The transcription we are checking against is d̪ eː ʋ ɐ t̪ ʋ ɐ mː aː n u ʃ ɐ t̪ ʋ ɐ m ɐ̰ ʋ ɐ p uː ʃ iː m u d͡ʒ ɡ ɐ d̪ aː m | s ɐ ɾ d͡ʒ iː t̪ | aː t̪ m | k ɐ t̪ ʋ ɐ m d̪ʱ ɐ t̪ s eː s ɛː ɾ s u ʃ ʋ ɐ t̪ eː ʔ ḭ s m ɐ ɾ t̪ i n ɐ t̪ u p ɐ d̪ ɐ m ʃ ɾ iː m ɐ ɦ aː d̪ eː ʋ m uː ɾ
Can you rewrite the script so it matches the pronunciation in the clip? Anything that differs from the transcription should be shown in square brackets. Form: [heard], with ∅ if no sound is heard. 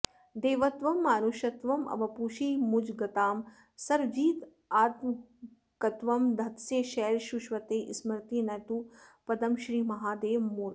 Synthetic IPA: d̪ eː ʋ ɐ t̪ ʋ ɐ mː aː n u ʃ ɐ t̪ ʋ ɐ m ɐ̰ ʋ ɐ p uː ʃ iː m u d͡ʒ ɡ ɐ [t̪] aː m | s ɐ ɾ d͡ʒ iː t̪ | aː t̪ m | k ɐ t̪ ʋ ɐ m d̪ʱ ɐ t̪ s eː [ʃ] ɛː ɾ [ʃ] u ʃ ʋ ɐ t̪ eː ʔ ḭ s m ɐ ɾ t̪ i n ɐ t̪ u p ɐ d̪ ɐ m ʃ ɾ iː m ɐ ɦ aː d̪ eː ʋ m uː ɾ